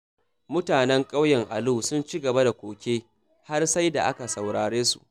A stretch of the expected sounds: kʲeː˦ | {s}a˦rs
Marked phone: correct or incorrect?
incorrect